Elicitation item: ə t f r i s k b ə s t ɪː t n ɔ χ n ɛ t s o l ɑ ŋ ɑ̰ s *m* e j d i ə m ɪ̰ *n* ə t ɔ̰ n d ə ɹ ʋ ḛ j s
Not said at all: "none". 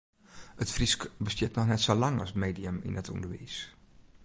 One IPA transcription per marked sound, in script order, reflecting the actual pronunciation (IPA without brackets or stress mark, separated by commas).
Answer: m, n